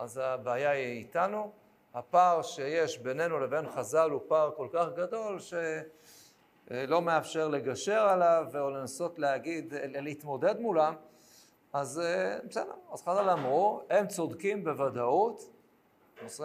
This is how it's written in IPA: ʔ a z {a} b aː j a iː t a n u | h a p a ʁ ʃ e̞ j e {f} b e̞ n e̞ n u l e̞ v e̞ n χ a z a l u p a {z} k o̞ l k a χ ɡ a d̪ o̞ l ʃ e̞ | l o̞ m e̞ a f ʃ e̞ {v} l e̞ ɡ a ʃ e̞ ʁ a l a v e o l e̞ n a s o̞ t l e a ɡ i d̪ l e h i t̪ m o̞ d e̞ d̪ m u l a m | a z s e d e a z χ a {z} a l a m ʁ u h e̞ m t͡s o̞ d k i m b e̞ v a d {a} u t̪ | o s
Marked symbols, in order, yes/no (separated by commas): yes, no, no, no, yes, yes